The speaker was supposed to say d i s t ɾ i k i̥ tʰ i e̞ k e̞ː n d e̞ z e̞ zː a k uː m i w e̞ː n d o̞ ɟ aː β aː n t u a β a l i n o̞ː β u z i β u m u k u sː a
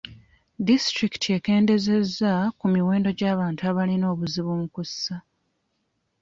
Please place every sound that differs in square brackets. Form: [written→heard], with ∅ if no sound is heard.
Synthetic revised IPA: d i s t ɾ i k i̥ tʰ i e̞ k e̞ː n d e̞ z e̞ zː a k [uː→u] m i w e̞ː n d o̞ ɟ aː β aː n t u a β a l i n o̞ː β u z i β u m u k u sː a

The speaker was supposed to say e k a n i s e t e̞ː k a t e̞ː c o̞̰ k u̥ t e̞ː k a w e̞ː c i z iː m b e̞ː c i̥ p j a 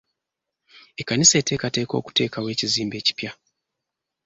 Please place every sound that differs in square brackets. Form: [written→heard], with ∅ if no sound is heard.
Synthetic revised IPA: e k a n i s e t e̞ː k a t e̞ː [c→k] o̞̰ k u̥ t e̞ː k a w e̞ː c i z iː m b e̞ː c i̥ p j a

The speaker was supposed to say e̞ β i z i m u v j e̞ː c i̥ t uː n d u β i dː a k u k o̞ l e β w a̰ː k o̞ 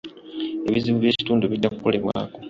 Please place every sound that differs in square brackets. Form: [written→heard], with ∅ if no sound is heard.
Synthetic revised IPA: e̞ β i z i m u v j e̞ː c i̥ t uː n d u β i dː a k u k o̞ l e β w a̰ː k o̞

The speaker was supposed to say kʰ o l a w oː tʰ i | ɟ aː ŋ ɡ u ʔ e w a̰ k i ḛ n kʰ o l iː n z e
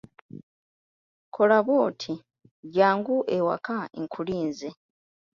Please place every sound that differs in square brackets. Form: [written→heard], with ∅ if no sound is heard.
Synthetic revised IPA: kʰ o l a [w→β] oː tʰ i | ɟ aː ŋ ɡ u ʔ e w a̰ k [i→a] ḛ [n→ŋ] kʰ [o→u] l iː n z e

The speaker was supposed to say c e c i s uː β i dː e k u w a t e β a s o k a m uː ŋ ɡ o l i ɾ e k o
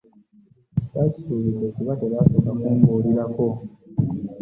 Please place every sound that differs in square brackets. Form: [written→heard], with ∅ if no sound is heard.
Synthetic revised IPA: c [e→a] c i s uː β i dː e k u [w→β] a t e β a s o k a m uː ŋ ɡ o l i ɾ [e→a] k o

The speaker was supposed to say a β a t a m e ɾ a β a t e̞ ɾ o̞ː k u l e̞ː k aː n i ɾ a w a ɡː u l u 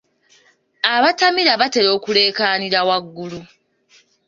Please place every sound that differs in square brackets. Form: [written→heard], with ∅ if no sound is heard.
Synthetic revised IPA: a β a t a m [e→i] ɾ a β a t e̞ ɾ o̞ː k u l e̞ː k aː n i ɾ a w a ɡː u l u

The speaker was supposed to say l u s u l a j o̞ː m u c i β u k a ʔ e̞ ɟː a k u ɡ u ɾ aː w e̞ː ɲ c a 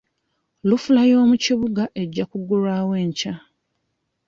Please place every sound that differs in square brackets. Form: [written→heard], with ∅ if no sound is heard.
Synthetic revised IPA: l u [s→f] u l a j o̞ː m u c i β u [k→ɡ] a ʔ e̞ ɟː a k u ɡ u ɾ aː w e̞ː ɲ c a

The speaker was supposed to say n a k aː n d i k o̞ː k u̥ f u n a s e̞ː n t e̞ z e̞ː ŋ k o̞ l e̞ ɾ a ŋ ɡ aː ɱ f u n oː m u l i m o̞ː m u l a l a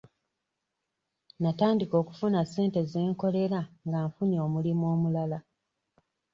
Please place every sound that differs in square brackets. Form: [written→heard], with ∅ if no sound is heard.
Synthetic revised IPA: n a [k→t] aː n d i k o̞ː k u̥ f u n a s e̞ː n t e̞ z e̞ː ŋ k o̞ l e̞ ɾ a ŋ ɡ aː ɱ f u [n→ɲ] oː m u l i m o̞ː m u l a l a

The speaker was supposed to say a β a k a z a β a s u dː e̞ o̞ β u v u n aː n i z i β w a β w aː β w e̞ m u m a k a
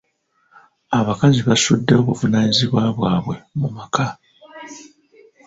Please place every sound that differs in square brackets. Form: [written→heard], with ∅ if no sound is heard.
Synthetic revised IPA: a β a k a z [a→i] β a s u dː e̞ o̞ β u v u n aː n i z i β w a β w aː β w e̞ m u m a k a

